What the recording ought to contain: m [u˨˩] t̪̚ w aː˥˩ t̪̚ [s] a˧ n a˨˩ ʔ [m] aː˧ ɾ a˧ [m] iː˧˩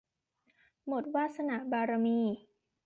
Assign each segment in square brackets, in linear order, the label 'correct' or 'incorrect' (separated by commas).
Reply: incorrect, correct, incorrect, correct